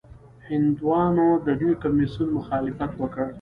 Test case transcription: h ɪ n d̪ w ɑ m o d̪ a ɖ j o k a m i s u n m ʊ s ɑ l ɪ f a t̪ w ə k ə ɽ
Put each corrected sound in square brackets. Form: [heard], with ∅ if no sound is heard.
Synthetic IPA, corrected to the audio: h ɪ n d̪ w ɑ [n] o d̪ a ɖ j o k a m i s u n m ʊ [x] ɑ l ɪ f a t̪ w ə k ə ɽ